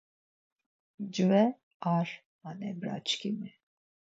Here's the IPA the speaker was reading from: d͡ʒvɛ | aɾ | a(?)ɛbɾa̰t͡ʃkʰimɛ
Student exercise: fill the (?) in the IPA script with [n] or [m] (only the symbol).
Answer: n